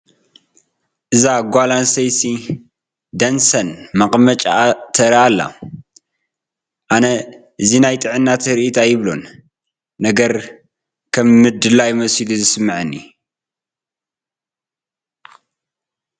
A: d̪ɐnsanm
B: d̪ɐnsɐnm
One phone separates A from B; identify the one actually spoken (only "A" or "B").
B